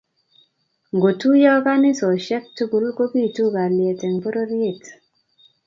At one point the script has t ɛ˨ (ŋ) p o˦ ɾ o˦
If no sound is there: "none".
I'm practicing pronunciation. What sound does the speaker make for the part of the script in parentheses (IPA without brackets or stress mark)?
ŋ